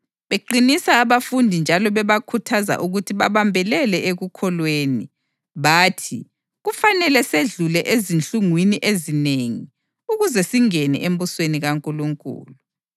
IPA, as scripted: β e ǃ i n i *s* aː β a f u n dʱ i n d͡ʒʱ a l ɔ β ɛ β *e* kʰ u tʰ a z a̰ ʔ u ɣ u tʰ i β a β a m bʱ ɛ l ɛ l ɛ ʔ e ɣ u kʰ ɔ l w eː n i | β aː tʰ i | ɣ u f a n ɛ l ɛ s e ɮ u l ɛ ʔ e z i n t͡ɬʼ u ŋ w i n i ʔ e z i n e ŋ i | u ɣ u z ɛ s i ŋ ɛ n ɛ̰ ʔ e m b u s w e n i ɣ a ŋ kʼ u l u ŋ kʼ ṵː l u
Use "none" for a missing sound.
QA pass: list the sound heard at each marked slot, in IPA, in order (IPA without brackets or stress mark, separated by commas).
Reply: s, a